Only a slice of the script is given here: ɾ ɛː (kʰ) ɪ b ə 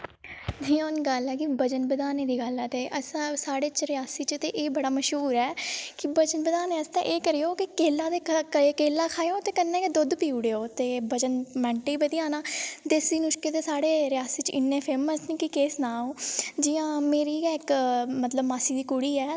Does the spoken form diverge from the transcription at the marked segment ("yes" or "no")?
yes